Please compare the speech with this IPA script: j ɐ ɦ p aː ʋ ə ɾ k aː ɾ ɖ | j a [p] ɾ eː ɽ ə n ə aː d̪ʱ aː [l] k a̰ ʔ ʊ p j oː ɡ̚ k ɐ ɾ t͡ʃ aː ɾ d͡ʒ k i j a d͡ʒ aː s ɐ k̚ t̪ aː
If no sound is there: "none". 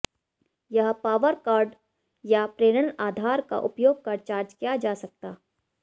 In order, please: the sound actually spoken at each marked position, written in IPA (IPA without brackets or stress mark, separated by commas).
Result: p, ɾ